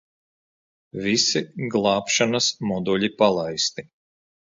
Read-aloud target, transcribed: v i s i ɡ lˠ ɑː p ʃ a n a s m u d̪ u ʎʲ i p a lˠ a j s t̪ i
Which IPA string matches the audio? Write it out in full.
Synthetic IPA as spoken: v i s i ɡ lˠ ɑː p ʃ a n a s m ɔ d̪ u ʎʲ i p a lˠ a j s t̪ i